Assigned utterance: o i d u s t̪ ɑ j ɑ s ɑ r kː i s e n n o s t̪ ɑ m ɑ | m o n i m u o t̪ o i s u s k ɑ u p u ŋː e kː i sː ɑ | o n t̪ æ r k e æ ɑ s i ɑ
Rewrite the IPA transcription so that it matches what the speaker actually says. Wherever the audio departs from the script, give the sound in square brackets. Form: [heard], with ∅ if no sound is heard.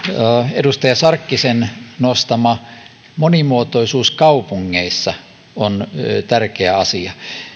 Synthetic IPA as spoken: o [e] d u s t̪ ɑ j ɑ s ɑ r kː i s e n n o s t̪ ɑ m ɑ | m o n i m u o t̪ o i s [uː] s k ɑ u p u ŋː e [∅] i sː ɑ | o n t̪ æ r k e æ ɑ s i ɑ